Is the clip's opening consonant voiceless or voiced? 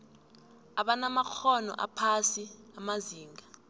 voiced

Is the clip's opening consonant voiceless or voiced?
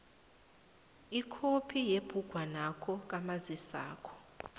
voiceless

